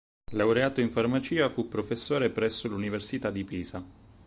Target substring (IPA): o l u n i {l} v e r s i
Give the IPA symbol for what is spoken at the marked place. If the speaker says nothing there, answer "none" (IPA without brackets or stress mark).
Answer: none